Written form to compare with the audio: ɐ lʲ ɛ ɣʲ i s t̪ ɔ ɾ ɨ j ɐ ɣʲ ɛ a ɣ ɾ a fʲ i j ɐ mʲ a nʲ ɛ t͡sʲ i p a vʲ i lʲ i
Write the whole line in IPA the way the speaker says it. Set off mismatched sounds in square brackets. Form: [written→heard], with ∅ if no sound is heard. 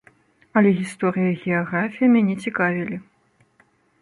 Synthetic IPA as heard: ɐ lʲ ɛ ɣʲ i s t̪ ɔ ɾ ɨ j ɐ ɣʲ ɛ a ɣ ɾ a fʲ i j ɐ mʲ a nʲ ɛ t͡sʲ i [p→k] a vʲ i lʲ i